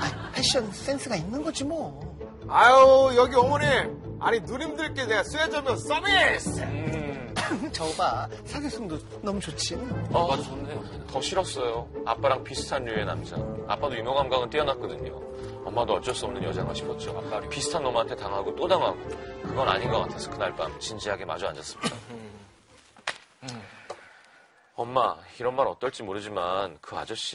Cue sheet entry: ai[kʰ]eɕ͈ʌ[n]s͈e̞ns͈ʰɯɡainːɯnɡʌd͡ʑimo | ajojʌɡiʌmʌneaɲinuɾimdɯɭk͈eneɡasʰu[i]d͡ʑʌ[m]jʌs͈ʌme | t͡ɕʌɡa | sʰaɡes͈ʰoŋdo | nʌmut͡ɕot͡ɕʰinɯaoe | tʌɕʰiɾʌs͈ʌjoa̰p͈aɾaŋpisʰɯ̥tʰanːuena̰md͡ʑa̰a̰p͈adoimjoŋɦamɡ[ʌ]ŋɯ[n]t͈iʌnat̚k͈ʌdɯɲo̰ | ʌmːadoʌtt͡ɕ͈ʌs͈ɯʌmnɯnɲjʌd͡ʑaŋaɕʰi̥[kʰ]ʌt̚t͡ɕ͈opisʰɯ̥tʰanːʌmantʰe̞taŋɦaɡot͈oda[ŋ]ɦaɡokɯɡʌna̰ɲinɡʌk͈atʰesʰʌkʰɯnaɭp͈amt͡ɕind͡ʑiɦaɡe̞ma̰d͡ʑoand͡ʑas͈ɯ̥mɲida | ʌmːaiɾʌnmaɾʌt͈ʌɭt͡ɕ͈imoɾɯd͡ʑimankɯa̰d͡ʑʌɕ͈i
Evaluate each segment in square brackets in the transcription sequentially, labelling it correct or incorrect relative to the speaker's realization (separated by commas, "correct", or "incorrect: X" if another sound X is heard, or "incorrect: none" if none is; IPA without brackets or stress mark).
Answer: incorrect: pʰ, correct, incorrect: e, correct, incorrect: a, correct, incorrect: pʰ, correct